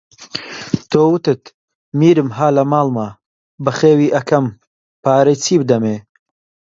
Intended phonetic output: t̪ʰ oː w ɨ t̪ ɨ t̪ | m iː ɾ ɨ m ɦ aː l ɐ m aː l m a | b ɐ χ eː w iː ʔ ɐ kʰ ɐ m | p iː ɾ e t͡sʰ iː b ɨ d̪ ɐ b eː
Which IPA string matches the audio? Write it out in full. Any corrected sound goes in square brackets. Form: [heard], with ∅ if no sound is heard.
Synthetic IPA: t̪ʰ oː w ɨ t̪ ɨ t̪ | m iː ɾ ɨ m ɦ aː l ɐ m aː l m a | b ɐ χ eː w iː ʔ ɐ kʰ ɐ m | p [aː] ɾ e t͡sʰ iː b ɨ d̪ ɐ [m] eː